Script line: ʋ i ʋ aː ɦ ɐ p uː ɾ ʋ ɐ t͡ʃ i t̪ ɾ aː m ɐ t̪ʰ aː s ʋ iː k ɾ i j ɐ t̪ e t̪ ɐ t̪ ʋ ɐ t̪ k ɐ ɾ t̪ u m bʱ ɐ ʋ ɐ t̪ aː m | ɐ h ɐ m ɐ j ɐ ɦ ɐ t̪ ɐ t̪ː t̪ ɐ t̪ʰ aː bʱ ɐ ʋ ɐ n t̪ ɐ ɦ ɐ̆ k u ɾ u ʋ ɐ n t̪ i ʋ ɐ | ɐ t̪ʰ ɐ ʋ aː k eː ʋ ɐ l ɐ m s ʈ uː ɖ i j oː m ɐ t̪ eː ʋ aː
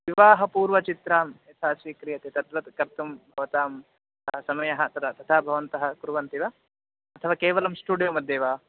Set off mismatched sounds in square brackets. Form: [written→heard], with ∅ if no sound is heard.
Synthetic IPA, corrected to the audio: ʋ i ʋ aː ɦ ɐ p uː ɾ ʋ ɐ t͡ʃ i t̪ ɾ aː m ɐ t̪ʰ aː s ʋ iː k ɾ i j ɐ t̪ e t̪ ɐ t̪ ʋ ɐ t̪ k ɐ ɾ t̪ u m bʱ ɐ ʋ ɐ t̪ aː m | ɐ [h→s] ɐ m ɐ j ɐ ɦ ɐ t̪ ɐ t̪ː t̪ ɐ t̪ʰ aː bʱ ɐ ʋ ɐ n t̪ ɐ ɦ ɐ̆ k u ɾ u ʋ ɐ n t̪ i ʋ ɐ | ɐ t̪ʰ ɐ ʋ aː k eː ʋ ɐ l ɐ m s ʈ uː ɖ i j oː m ɐ [t̪→d̪] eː ʋ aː